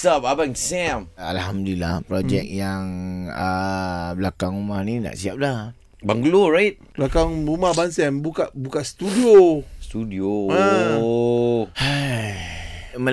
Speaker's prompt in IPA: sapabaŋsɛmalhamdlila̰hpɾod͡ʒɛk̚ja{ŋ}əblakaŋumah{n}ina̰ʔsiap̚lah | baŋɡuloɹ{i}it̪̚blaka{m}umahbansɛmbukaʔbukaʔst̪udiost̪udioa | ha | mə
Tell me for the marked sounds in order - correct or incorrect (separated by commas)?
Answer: correct, correct, incorrect, incorrect